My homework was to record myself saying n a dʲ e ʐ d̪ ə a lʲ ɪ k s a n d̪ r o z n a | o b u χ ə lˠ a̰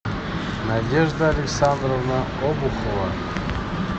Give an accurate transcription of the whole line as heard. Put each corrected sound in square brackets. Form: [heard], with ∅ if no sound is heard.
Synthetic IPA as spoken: n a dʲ e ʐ d̪ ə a lʲ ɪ k s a n d̪ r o [v] n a | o b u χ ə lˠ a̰